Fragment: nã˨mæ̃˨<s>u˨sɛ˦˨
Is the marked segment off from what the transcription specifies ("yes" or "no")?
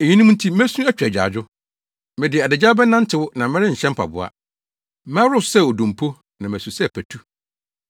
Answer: no